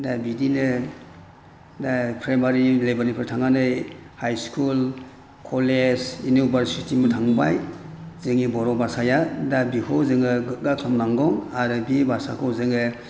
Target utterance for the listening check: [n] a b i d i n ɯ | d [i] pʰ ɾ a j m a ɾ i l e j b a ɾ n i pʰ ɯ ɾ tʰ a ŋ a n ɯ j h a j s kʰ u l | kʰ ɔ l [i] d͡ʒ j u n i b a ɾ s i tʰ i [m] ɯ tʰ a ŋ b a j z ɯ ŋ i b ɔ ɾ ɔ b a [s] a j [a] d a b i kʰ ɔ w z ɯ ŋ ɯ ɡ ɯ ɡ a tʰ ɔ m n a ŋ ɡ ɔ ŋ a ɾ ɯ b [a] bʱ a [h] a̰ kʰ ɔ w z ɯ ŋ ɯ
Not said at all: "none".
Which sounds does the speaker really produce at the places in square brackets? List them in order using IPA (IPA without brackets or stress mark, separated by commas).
d, a, e, m, s, a, i, s